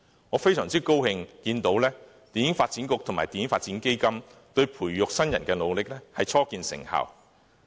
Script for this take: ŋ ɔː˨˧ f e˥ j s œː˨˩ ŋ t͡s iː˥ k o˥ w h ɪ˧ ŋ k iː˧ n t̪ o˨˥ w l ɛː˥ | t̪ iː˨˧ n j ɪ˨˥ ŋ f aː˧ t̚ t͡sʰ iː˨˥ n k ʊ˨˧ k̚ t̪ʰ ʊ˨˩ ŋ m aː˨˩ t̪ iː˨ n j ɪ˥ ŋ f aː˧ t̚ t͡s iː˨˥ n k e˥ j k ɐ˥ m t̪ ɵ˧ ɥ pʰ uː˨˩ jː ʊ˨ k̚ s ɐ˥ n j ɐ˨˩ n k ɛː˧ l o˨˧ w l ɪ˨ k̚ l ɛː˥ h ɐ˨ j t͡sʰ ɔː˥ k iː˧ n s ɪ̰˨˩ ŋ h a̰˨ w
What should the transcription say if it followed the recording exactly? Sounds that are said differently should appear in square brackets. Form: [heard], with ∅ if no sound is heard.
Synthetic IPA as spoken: ŋ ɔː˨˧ f e˥ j s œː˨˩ ŋ t͡s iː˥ k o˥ w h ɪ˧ ŋ k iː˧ n t̪ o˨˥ w l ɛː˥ | t̪ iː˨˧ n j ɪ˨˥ ŋ f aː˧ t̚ [t͡s] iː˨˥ n k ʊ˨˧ k̚ t̪ʰ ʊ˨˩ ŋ m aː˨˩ t̪ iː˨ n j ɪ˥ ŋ f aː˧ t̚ t͡s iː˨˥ n k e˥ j k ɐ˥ m t̪ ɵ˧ ɥ pʰ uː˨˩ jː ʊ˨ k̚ s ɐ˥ n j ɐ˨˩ n k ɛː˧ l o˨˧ w l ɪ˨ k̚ l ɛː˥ h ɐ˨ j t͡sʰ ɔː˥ k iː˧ n s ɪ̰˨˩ ŋ h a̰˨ w